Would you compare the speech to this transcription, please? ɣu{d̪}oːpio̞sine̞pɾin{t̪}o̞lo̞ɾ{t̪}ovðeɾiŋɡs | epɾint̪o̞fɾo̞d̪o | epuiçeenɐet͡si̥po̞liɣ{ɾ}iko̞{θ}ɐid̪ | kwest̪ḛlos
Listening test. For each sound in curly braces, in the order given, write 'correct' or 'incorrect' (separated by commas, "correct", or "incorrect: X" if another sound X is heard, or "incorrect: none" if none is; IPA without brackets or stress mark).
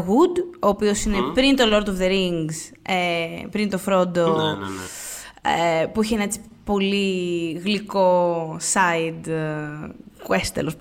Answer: correct, correct, correct, incorrect: l, incorrect: s